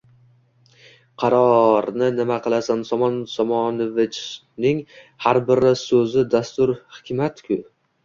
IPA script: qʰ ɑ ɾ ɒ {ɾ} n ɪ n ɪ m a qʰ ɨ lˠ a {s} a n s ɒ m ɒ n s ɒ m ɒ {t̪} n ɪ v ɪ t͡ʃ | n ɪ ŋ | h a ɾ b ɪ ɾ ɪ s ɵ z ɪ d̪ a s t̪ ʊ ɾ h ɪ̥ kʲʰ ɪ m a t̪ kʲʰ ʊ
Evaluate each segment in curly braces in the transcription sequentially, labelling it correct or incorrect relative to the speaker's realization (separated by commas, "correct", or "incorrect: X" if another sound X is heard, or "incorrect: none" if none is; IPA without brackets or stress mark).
correct, correct, incorrect: none